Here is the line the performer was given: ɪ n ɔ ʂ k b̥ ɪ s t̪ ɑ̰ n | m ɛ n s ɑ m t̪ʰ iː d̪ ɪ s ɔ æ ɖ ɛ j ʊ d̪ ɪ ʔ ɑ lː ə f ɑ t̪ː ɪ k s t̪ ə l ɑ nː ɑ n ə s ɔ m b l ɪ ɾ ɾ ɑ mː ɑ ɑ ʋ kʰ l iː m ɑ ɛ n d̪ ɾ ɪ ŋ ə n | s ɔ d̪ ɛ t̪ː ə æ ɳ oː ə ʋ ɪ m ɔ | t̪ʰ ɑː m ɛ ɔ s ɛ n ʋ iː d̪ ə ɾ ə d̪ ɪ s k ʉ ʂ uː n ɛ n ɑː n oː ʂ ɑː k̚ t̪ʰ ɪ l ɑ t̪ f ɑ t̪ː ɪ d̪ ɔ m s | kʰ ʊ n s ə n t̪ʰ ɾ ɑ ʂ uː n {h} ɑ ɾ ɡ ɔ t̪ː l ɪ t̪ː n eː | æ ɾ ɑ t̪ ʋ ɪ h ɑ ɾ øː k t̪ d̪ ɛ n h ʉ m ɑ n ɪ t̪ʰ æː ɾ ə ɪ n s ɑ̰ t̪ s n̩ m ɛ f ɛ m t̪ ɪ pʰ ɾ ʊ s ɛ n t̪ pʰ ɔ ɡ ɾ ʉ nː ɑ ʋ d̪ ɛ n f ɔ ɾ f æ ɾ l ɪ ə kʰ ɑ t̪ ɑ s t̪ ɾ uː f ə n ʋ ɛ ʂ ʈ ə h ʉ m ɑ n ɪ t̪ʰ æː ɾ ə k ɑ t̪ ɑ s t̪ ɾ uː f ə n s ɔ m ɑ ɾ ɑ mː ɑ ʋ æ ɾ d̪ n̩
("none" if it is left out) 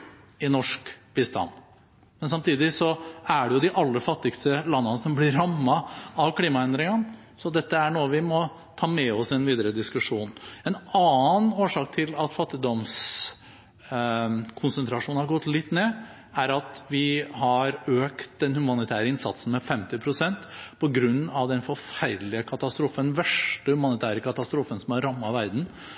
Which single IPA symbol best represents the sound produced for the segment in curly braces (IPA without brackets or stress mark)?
h